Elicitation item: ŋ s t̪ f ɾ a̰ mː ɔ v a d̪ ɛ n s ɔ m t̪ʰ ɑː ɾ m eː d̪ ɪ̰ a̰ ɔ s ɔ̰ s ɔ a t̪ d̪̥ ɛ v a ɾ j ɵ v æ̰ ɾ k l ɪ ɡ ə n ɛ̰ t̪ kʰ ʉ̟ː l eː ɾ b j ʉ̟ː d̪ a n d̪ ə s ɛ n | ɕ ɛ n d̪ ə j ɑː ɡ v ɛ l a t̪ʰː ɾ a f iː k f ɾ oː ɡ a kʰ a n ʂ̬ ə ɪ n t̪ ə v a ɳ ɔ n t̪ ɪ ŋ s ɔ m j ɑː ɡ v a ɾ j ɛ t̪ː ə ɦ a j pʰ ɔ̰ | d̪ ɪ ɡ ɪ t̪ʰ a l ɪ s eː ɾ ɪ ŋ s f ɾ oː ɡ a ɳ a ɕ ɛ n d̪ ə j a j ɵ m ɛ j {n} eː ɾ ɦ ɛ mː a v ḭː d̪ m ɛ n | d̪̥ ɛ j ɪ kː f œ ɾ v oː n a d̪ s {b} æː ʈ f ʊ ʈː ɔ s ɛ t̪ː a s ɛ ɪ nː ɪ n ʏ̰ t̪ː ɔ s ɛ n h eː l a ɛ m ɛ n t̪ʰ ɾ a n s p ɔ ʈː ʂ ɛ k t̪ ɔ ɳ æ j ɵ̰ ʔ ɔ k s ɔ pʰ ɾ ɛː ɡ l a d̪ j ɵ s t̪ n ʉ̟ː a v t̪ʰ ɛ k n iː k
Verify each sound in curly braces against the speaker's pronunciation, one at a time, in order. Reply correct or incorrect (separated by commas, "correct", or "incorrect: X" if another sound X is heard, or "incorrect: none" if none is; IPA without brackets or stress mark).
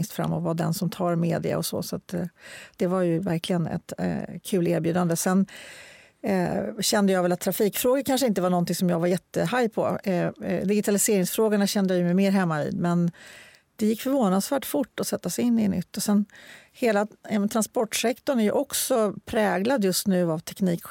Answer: incorrect: m, incorrect: v